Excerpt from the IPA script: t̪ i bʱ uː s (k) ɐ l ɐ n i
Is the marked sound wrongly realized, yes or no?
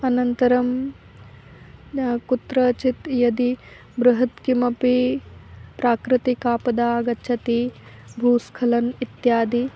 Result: yes